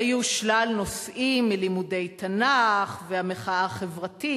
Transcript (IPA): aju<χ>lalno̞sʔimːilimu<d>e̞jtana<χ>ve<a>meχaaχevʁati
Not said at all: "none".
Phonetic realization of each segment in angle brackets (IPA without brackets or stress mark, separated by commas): ʃ, d, χ, a